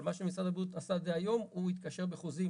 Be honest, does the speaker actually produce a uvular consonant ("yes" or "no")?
yes